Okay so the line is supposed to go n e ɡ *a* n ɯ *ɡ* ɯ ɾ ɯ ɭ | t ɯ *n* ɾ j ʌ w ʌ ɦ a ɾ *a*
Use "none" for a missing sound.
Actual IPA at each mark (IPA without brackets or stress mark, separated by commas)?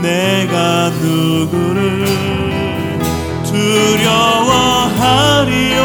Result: a, ɡ, none, i